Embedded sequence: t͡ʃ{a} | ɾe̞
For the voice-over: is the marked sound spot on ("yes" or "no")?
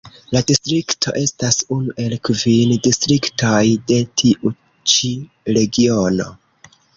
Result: no